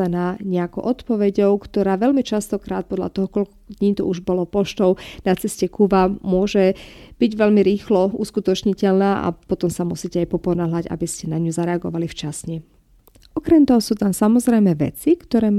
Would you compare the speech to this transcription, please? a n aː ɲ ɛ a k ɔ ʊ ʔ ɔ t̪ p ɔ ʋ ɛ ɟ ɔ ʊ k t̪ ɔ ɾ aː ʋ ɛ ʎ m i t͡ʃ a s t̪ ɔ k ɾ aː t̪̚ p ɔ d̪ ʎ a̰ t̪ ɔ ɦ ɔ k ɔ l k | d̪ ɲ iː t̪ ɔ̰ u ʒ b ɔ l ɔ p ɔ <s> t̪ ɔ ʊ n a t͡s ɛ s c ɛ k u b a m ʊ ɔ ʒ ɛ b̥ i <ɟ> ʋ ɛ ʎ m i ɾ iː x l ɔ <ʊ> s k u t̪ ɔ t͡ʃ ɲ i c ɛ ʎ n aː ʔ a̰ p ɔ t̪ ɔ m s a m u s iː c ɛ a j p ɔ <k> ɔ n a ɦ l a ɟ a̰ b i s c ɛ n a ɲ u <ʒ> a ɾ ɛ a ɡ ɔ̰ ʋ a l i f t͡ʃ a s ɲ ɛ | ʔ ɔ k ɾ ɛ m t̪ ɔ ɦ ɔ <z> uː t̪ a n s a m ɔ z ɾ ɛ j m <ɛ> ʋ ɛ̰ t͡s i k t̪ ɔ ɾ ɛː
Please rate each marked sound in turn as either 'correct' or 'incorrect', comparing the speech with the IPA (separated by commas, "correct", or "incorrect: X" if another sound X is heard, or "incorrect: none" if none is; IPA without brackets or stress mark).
incorrect: ʃ, correct, incorrect: u, incorrect: p, incorrect: z, incorrect: s, correct